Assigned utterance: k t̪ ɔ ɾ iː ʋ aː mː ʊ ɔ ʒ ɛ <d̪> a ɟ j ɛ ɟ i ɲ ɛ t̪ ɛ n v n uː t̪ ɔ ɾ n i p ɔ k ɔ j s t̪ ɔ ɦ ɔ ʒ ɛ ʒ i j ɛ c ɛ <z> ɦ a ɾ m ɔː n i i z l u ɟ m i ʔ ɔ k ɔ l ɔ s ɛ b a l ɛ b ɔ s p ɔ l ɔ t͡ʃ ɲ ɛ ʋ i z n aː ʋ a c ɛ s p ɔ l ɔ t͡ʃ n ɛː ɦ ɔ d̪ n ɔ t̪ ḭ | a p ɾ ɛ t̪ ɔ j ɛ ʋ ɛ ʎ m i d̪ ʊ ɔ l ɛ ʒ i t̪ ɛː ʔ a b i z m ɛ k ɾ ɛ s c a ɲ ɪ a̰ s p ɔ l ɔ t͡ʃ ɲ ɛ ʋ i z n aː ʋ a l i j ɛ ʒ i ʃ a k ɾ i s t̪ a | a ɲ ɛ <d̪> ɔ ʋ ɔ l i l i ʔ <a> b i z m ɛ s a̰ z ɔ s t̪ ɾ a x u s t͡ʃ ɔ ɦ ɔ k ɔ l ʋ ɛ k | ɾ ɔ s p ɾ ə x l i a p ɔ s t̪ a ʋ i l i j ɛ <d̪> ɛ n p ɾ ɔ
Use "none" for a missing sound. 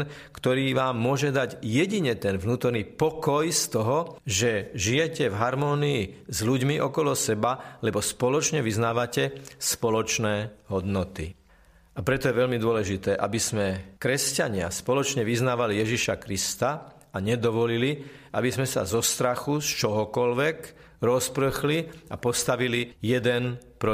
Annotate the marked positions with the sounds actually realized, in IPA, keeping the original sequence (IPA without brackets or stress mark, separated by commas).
d̪, v, d̪, a, d̪